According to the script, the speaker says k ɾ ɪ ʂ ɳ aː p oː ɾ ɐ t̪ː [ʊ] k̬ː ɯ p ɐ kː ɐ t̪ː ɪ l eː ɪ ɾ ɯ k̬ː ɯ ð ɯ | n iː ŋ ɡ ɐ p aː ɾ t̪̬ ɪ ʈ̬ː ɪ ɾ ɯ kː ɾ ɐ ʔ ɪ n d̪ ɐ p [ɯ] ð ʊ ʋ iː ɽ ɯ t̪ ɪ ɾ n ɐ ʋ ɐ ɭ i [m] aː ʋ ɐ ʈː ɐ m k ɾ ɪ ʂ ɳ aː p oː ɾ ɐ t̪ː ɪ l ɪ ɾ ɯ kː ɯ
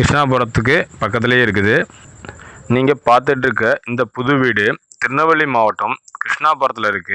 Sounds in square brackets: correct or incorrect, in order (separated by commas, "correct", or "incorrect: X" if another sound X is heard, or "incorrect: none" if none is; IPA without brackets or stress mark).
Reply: incorrect: ɯ, incorrect: ʊ, correct